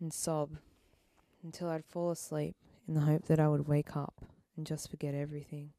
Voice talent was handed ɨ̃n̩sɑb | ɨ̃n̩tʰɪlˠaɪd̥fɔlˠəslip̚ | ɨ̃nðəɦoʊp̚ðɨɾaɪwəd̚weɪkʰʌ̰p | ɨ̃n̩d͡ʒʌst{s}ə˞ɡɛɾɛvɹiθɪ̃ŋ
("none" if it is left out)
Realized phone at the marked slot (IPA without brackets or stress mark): f